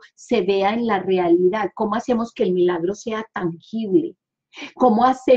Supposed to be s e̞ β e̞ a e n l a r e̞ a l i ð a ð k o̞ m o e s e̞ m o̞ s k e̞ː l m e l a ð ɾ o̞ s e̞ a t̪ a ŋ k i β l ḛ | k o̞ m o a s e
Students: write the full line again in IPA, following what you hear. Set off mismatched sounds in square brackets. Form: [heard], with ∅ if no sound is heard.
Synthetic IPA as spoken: s e̞ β e̞ a e n l a r e̞ a l i ð a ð k o̞ m o [a] s e̞ m o̞ s k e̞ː l m [i] l a [ɣ] ɾ o̞ s e̞ a t̪ a ŋ [x] i β l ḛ | k o̞ m o a s e